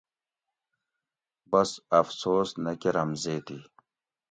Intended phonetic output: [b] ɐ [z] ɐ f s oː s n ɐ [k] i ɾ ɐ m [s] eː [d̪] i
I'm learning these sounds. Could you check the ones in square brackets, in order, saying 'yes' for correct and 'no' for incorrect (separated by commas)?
yes, no, yes, no, no